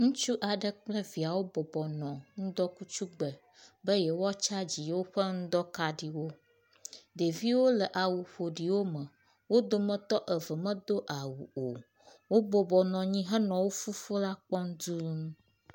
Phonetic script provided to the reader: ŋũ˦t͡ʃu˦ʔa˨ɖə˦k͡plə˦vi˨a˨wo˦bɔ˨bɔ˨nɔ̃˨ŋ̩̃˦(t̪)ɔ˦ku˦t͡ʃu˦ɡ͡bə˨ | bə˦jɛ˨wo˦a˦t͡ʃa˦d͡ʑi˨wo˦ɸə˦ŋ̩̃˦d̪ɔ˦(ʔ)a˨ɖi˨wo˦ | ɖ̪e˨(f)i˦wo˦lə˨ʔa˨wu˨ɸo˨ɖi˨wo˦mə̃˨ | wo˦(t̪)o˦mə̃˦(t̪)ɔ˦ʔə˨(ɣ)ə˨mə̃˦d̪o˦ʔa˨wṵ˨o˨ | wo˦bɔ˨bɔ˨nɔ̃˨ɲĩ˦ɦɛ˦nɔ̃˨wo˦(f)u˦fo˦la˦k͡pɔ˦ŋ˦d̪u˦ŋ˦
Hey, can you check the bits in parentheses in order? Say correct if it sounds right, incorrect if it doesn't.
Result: incorrect: d̪, incorrect: k, incorrect: v, incorrect: d̪, correct, incorrect: v, correct

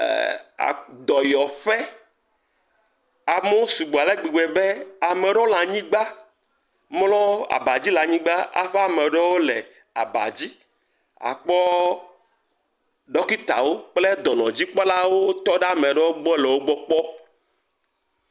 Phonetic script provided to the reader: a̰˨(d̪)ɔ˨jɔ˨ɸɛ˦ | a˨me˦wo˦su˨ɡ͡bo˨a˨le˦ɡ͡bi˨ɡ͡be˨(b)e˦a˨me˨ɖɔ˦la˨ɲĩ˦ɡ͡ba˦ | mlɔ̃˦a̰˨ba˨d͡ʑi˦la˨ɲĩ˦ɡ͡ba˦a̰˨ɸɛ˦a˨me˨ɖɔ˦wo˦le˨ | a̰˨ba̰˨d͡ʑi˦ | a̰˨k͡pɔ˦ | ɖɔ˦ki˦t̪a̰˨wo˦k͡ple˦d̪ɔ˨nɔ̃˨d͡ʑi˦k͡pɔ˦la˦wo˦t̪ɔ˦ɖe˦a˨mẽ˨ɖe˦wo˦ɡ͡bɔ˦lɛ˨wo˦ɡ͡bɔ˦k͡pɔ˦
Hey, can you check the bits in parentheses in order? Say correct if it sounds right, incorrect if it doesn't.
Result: correct, correct

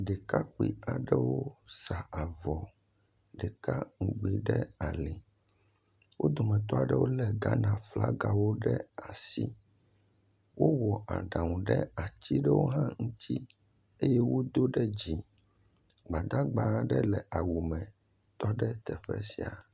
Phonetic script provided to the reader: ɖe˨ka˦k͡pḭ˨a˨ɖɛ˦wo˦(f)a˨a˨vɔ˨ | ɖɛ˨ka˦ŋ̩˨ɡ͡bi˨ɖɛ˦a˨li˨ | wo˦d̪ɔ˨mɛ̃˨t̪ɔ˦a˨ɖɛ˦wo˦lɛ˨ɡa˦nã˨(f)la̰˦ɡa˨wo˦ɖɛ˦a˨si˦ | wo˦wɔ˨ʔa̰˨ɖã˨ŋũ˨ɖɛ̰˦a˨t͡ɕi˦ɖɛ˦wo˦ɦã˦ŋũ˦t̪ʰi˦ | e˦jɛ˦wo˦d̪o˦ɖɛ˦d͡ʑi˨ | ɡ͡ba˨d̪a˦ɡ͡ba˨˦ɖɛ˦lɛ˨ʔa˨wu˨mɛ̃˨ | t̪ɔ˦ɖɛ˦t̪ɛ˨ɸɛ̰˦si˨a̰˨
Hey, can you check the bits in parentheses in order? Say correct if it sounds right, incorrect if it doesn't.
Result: incorrect: s, correct

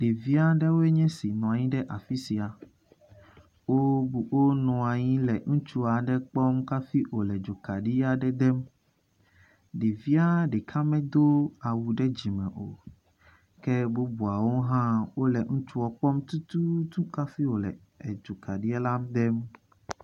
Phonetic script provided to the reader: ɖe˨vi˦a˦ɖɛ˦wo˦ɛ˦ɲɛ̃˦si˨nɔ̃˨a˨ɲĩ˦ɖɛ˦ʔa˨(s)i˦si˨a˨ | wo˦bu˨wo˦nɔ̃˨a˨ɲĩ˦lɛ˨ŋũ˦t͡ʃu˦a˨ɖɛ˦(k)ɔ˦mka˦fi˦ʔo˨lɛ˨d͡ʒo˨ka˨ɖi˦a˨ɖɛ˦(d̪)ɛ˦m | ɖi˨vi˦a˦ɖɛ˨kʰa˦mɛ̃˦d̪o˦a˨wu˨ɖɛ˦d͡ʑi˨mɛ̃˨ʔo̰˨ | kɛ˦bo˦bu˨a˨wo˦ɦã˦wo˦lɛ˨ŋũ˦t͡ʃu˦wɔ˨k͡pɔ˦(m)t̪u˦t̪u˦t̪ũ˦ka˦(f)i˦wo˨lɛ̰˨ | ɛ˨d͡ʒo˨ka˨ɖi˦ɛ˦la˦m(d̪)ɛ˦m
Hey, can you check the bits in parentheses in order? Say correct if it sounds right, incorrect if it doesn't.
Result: incorrect: f, incorrect: k͡p, correct, correct, correct, correct

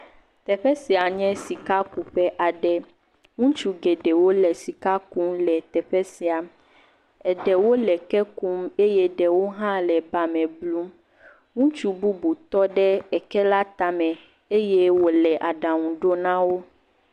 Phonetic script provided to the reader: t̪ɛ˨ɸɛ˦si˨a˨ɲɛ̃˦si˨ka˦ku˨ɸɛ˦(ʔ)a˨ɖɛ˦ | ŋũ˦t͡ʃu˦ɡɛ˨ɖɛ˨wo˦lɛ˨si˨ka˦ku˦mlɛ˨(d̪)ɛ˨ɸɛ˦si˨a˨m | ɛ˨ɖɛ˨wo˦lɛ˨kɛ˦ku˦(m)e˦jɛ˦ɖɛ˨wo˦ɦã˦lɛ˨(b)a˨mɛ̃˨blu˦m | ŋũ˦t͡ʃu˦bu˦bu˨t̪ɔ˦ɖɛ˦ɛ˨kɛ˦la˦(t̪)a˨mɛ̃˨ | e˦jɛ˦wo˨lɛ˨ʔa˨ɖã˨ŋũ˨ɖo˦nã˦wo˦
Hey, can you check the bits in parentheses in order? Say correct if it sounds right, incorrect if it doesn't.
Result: correct, incorrect: t̪, correct, correct, correct

